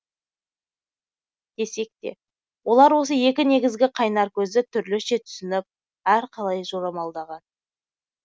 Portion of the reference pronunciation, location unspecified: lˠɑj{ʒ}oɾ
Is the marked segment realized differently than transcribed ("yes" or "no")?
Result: no